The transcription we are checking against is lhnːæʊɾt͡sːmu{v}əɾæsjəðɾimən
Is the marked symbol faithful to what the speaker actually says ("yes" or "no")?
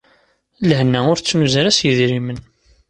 no